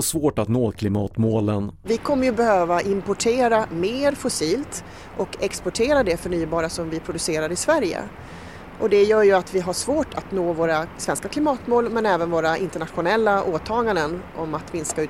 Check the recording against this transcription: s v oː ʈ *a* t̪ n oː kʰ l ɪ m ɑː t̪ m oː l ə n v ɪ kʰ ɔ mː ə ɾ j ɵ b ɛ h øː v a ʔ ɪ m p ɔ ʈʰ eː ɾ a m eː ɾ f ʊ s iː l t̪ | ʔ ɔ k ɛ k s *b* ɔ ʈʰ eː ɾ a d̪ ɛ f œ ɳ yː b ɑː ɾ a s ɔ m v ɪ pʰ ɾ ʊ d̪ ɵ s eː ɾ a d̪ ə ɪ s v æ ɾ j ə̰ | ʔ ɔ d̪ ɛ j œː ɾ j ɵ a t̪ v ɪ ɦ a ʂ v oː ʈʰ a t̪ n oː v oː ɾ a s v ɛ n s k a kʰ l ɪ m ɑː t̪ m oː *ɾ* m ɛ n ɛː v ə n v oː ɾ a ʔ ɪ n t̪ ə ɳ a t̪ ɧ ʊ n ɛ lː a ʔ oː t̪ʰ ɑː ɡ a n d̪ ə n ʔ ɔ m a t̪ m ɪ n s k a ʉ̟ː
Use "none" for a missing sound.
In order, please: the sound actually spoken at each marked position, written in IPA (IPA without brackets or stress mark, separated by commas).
a, p, l